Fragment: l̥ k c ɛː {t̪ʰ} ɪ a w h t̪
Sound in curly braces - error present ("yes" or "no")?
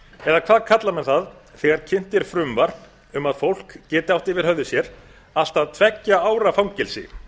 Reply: yes